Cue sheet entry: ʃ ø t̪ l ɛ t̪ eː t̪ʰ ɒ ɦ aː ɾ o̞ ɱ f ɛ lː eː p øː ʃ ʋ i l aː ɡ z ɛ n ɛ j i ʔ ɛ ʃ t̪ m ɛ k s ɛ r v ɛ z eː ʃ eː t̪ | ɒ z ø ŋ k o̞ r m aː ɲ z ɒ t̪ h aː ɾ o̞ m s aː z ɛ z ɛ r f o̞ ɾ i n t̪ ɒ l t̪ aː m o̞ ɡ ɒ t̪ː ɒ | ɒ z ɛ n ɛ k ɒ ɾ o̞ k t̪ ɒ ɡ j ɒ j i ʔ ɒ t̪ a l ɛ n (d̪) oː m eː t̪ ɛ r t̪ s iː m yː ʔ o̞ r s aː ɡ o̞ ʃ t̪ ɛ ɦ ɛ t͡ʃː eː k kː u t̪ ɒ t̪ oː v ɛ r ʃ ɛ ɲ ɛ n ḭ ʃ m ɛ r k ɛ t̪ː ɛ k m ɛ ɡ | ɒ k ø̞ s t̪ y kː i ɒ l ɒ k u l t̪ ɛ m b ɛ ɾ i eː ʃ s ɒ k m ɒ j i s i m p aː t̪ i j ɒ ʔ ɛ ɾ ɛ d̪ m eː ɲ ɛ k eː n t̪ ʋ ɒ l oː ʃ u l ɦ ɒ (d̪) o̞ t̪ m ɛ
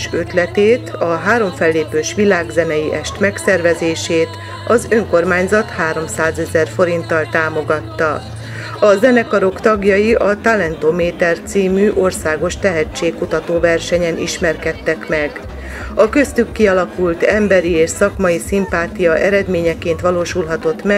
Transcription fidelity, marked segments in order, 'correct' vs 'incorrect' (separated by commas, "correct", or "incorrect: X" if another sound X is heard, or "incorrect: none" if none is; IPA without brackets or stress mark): incorrect: t̪, incorrect: t̪